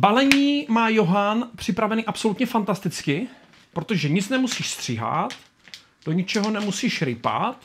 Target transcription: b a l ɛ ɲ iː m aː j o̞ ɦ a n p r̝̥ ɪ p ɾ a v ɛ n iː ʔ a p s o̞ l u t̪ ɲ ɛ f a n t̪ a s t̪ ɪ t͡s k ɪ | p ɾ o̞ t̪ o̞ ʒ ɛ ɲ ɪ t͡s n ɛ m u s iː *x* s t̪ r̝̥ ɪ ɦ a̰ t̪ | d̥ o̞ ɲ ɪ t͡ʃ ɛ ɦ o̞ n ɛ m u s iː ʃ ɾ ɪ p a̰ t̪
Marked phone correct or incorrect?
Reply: incorrect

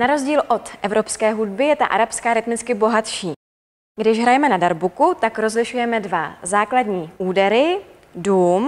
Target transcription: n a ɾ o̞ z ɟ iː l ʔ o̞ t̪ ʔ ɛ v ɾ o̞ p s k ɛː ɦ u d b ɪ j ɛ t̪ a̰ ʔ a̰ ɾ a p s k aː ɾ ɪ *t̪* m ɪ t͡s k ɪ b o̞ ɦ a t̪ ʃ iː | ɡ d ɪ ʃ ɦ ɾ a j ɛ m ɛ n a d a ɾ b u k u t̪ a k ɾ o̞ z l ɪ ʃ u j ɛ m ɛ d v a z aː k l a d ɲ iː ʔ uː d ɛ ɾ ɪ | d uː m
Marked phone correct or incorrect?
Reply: correct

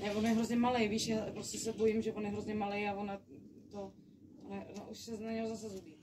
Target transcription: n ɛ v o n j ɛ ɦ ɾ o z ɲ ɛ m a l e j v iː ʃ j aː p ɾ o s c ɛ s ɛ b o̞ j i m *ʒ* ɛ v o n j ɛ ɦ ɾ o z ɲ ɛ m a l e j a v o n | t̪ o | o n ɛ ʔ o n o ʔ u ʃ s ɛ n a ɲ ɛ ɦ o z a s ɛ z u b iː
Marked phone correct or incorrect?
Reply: correct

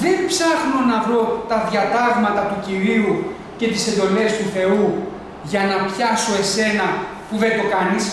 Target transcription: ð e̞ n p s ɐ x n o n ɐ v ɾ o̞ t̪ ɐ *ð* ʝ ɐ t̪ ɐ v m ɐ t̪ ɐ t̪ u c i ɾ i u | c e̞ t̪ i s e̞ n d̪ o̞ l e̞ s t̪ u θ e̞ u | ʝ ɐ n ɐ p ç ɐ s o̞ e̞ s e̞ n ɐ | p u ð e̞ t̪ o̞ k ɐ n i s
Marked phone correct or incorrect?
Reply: correct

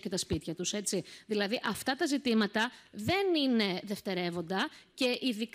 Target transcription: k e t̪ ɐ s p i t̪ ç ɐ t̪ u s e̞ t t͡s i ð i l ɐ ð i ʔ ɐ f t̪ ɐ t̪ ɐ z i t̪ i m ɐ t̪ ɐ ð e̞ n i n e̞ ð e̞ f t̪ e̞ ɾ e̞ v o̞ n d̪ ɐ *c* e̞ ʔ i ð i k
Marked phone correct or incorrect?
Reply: correct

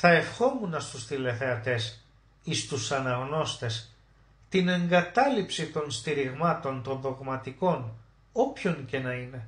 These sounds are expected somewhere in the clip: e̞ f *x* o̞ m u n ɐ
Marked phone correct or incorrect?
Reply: correct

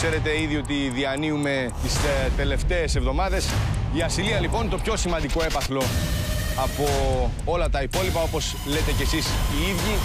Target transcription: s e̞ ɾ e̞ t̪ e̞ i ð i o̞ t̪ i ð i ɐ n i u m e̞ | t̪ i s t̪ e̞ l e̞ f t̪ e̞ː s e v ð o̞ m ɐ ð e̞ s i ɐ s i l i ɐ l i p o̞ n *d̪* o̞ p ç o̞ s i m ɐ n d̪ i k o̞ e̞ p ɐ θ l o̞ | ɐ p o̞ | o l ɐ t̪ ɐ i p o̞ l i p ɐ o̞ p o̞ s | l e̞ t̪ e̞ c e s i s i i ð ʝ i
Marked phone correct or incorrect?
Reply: incorrect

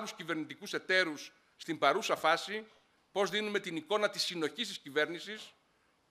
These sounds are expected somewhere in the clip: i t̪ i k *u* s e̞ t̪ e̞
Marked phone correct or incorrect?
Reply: correct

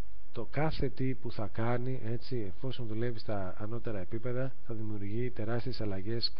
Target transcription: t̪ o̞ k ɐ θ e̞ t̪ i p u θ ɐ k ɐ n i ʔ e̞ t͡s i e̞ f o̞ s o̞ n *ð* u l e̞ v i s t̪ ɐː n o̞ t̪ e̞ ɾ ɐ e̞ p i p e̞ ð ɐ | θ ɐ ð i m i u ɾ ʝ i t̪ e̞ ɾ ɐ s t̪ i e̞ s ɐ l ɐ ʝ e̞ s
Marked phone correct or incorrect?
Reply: correct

